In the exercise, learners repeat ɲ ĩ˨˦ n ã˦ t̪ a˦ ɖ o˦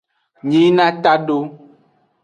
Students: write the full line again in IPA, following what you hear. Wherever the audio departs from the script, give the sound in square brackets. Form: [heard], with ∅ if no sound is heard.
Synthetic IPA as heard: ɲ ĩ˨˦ n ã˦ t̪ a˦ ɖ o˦

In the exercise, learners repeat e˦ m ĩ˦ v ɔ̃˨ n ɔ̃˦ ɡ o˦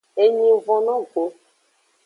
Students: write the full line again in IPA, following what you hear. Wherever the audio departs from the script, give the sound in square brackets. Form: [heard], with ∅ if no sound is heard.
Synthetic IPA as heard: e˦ [ɲ] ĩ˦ v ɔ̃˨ n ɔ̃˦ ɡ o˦

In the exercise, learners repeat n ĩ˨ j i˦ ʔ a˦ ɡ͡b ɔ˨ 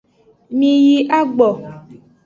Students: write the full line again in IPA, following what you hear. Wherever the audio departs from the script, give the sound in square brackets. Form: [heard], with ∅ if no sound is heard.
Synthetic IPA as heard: [m] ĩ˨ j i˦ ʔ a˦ ɡ͡b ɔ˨

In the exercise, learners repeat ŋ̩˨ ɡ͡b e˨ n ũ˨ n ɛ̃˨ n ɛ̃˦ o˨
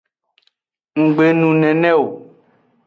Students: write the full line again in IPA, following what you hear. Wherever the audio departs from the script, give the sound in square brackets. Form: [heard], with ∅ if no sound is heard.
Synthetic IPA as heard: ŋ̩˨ ɡ͡b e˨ n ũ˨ n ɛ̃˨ n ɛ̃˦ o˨

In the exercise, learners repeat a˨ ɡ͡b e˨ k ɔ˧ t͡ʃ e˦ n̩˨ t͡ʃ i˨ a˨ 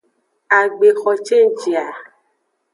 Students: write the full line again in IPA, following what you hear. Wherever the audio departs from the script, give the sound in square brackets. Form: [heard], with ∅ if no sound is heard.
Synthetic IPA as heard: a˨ ɡ͡b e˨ [x] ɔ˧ t͡ʃ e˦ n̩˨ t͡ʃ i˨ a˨

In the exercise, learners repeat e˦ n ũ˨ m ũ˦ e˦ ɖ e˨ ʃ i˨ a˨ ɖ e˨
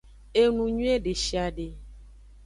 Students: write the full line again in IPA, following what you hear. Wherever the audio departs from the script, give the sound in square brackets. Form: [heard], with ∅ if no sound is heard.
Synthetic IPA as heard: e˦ n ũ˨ [ɲ] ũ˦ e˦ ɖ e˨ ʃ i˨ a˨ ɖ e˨

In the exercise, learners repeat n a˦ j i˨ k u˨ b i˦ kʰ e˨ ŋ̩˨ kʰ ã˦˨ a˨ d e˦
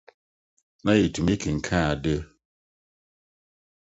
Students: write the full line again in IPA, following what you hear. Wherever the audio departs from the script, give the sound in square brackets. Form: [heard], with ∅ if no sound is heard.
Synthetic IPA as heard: n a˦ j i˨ [t] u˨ [m] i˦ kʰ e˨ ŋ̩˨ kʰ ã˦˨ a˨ d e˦

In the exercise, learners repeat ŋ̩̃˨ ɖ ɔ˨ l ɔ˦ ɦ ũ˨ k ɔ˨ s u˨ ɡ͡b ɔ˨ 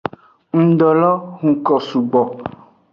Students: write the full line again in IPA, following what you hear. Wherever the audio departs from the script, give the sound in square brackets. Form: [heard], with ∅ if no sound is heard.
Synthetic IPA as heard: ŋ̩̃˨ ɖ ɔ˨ l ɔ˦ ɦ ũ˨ k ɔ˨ s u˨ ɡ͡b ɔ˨

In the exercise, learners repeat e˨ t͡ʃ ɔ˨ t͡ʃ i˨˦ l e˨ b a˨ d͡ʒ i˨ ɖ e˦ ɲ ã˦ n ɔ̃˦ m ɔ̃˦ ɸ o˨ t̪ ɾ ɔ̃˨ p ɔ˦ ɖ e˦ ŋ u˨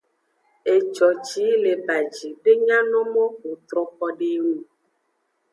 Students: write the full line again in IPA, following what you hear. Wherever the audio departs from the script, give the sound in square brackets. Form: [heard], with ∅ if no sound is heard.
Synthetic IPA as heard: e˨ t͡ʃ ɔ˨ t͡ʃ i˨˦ l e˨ b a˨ d͡ʒ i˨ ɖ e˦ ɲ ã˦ n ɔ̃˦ m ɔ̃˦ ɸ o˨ t̪ ɾ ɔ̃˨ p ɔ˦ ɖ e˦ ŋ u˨

